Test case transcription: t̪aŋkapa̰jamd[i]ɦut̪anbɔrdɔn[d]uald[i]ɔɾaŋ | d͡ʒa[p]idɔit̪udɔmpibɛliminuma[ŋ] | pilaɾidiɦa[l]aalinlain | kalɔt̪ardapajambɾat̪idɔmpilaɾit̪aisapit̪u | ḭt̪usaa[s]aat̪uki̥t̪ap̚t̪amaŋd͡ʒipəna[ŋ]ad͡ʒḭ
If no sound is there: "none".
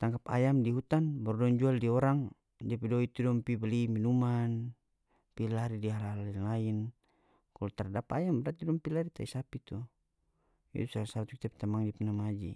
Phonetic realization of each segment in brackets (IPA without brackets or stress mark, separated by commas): i, d͡ʒ, i, p, n, l, s, m